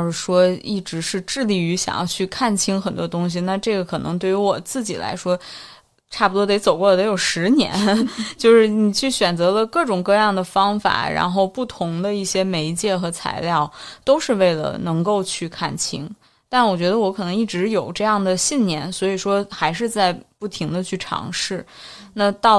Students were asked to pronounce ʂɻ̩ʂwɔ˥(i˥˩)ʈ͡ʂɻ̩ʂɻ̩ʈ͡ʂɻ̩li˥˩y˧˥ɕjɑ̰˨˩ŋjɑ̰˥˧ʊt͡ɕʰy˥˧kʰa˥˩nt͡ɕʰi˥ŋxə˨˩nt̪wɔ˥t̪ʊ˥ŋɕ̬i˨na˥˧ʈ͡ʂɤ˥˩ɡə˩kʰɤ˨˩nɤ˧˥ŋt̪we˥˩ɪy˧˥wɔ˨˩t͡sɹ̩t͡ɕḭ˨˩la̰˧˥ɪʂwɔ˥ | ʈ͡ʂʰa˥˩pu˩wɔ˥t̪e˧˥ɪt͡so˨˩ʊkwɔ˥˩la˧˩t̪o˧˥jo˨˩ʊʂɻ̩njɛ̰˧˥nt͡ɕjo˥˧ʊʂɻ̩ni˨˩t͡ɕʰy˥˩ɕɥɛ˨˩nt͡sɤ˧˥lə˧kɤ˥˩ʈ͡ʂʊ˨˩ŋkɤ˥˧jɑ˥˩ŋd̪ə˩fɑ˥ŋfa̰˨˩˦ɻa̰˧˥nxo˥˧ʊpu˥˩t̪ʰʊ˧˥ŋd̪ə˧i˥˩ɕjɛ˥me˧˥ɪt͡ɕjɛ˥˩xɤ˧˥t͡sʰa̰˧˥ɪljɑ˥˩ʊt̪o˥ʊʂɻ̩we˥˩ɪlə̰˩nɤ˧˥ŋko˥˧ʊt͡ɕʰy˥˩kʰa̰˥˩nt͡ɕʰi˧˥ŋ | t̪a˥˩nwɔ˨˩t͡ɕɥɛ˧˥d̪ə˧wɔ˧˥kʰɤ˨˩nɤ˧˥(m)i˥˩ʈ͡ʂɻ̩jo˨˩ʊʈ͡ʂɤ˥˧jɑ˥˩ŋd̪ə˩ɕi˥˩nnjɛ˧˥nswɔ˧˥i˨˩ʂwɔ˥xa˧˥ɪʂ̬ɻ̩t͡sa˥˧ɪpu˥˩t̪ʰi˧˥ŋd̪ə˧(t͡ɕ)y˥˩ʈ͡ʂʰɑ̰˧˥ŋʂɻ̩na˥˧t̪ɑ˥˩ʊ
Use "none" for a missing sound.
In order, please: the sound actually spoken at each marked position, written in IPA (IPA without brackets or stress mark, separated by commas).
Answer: i˥˩, ŋ, t͡ɕʰ